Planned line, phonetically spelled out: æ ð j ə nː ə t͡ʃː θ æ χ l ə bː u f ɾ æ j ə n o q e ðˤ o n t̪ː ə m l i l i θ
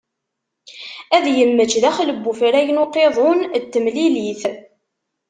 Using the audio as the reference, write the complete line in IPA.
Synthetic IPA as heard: æ ð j ə mː ə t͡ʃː ð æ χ l ə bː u f ɾ æ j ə n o q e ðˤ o n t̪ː ə m l i l i θ